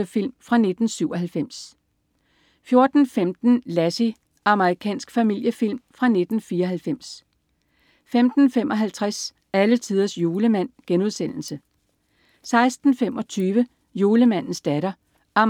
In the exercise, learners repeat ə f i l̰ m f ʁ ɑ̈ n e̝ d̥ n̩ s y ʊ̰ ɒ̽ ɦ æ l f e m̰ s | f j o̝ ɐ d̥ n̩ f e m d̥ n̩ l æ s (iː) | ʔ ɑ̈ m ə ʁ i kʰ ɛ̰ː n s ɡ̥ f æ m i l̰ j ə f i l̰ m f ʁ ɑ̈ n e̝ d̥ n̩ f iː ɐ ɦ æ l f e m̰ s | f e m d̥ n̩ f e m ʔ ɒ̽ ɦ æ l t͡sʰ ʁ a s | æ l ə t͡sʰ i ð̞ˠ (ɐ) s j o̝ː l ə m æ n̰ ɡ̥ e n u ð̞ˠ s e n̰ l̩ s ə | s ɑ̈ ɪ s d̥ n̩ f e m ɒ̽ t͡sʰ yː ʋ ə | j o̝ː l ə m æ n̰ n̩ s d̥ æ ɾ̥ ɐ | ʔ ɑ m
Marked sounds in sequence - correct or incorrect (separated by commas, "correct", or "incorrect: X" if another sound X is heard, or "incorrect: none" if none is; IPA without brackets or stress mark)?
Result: incorrect: i, correct